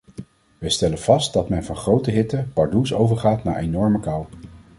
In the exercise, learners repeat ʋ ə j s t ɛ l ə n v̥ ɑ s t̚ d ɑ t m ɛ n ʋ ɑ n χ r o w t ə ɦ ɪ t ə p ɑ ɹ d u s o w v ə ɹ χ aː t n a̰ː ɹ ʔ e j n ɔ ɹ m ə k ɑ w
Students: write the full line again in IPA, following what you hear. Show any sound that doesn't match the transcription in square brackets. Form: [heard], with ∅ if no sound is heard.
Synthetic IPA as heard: ʋ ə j s t ɛ l ə n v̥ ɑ s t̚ d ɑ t m ɛ n [v] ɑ n χ r o w t ə ɦ ɪ t ə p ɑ ɹ d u s o w v ə ɹ χ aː t n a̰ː ɹ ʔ e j n ɔ ɹ m ə k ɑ w